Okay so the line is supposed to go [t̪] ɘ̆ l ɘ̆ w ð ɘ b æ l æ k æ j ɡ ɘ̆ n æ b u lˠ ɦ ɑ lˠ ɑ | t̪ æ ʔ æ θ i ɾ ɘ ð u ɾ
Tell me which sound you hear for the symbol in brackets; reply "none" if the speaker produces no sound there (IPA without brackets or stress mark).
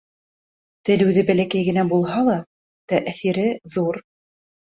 t̪